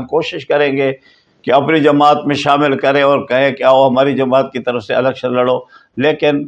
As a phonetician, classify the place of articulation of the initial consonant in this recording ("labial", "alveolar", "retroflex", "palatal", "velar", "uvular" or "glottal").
velar